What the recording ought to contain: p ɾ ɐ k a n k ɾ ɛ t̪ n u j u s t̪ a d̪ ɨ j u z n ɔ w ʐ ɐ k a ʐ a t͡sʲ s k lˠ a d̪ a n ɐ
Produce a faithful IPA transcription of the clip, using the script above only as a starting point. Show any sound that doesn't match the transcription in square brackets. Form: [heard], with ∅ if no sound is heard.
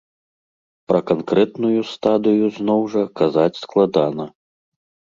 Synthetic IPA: p ɾ ɐ k a n k ɾ ɛ t̪ n u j u s t̪ a d̪ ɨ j u z n ɔ w ʐ ɐ k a [z] a t͡sʲ s k lˠ a d̪ a n ɐ